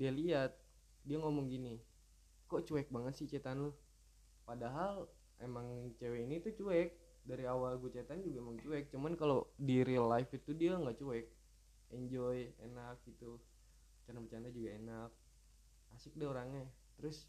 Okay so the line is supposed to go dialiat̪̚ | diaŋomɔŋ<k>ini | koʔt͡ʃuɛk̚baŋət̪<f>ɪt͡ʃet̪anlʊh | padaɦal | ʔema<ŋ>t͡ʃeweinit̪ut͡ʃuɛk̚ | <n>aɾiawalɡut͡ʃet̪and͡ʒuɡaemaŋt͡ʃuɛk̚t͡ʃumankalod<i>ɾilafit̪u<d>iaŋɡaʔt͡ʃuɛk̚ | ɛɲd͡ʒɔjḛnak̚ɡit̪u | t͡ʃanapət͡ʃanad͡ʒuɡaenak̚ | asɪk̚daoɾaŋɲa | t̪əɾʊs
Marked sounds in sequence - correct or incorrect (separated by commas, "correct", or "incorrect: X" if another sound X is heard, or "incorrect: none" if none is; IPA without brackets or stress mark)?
incorrect: ɡ, incorrect: s, correct, incorrect: d, correct, correct